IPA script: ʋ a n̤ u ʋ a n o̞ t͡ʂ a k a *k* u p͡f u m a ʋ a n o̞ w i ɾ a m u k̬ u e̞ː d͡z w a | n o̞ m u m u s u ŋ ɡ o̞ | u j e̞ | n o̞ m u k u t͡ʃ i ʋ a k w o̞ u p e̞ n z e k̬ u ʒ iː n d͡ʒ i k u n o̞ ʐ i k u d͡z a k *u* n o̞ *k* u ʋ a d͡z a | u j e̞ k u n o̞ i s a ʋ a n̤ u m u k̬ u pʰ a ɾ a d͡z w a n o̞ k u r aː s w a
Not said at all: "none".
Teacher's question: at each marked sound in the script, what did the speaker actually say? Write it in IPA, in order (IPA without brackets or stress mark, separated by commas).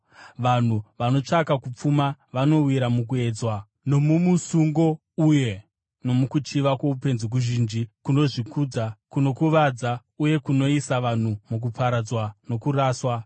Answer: k, u, k